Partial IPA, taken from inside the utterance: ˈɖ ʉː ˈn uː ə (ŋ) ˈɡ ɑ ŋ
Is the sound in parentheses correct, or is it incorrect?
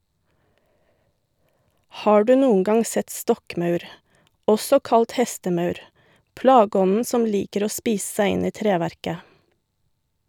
correct